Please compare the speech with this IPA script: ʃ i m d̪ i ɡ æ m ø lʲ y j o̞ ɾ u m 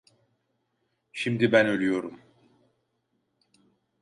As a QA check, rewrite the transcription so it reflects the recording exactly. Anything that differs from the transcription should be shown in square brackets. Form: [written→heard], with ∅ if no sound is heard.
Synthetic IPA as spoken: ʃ i m d̪ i [ɡ→b] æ [m→n] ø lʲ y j o̞ ɾ u m